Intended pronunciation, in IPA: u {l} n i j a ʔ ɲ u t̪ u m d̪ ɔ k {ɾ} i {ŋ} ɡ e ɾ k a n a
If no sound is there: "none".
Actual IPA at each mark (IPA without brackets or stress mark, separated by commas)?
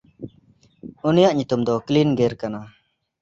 none, l, n